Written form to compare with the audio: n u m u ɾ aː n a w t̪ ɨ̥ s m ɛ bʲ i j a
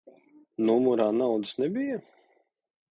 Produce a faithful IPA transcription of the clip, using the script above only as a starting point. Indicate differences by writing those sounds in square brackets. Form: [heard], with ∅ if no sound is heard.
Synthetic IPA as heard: n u m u ɾ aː n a w [d̪] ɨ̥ s [n] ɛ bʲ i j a